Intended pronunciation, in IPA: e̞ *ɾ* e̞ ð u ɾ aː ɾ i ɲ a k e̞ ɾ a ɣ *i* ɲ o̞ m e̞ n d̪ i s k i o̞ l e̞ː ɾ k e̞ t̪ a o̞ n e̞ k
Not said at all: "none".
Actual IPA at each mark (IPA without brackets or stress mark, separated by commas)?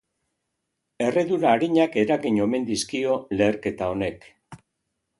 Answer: r, i